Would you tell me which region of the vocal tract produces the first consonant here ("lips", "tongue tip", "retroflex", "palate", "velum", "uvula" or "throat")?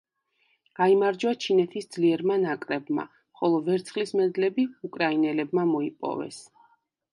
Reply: velum